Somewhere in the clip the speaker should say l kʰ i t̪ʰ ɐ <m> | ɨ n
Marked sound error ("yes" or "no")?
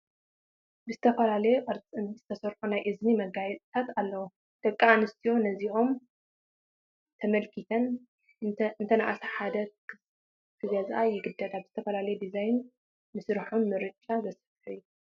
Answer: yes